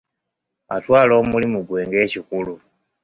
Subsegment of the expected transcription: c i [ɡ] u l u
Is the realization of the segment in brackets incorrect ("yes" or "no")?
yes